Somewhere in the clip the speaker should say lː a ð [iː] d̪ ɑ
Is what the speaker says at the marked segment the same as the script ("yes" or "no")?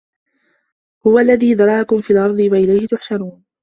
yes